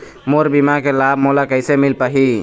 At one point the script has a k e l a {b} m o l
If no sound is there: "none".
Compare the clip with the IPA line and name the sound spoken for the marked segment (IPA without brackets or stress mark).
b